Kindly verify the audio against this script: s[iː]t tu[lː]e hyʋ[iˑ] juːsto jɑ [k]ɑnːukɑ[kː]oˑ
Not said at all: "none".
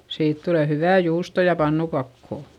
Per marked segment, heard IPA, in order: iː, l, æˑ, p, kː

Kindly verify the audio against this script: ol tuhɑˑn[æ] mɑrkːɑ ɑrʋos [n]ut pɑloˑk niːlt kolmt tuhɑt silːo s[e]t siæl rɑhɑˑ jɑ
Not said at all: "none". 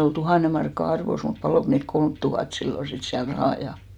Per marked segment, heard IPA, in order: e, m, i

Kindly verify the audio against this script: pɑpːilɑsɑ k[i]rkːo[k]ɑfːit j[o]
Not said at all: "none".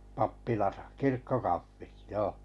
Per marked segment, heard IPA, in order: i, k, oː

